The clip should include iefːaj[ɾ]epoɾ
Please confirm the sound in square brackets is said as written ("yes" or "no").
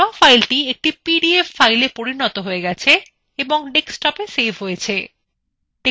no